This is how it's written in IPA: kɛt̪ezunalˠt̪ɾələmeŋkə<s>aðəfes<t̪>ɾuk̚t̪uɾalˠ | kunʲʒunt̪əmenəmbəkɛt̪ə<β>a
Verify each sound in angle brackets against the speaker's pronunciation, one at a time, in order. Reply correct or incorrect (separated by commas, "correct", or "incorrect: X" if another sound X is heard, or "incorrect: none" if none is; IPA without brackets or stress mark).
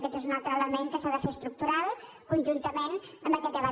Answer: correct, correct, correct